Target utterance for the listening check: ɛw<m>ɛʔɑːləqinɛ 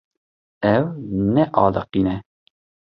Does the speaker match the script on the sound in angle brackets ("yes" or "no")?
no